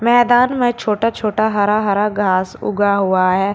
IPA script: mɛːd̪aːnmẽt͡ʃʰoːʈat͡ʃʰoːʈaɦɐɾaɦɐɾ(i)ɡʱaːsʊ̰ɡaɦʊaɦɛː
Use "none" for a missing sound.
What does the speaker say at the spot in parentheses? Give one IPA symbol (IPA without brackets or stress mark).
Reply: a